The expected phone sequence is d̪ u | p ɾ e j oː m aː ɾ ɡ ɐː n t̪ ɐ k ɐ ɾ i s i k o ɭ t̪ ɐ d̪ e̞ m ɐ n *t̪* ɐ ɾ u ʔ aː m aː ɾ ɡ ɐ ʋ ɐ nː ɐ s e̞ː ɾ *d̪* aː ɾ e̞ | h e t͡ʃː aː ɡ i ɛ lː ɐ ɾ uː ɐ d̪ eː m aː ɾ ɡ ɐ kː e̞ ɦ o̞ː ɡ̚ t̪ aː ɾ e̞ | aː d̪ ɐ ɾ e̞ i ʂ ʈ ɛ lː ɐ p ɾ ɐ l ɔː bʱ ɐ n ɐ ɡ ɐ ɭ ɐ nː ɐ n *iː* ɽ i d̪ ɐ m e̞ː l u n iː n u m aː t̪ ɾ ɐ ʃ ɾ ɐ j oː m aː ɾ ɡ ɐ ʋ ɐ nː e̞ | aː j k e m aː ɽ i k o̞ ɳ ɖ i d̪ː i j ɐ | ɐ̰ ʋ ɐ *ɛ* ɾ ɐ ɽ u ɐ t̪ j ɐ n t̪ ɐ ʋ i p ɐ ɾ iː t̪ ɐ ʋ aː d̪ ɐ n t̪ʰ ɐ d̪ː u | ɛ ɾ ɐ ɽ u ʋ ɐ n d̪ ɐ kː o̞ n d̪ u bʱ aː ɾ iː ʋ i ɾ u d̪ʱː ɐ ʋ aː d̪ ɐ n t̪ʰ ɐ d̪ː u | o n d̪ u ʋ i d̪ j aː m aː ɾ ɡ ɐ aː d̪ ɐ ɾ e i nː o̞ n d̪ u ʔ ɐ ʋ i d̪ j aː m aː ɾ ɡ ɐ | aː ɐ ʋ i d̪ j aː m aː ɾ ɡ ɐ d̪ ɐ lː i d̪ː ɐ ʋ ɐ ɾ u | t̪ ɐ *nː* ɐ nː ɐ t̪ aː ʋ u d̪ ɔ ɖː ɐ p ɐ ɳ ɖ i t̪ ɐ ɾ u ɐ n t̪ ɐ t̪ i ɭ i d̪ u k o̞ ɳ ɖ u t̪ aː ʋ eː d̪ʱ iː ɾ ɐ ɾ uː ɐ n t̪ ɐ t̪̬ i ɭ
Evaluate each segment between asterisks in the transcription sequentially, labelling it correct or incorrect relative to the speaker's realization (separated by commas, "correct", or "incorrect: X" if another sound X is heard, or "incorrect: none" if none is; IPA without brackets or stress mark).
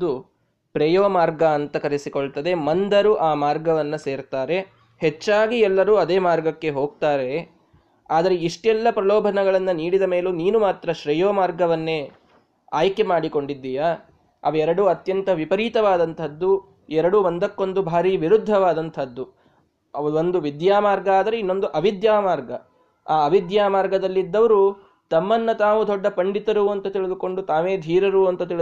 incorrect: d̪, incorrect: t̪, correct, correct, incorrect: mː